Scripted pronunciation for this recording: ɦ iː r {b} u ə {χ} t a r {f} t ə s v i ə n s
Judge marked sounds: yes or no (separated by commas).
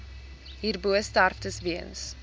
yes, no, yes